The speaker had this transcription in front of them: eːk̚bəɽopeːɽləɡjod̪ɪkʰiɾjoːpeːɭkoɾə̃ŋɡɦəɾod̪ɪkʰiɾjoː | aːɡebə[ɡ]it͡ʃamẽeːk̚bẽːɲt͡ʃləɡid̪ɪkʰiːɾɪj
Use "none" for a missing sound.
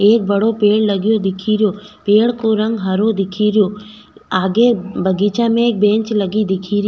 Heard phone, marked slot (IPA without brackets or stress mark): ɡ